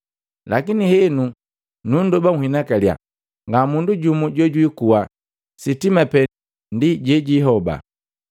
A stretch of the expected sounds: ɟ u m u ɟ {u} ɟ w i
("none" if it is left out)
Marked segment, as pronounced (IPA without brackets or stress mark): ɔ